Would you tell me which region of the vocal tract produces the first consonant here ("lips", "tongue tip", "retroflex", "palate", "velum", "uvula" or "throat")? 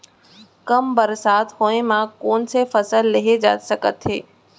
velum